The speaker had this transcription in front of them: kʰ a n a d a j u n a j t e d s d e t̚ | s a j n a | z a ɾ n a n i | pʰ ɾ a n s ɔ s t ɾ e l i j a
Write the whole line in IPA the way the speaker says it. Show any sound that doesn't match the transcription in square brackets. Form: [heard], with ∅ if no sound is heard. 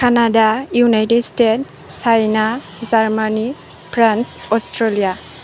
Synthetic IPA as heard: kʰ a n a d a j u n a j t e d s [t] e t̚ | s a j n a | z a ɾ [m] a n i | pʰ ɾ a n s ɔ s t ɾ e l i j a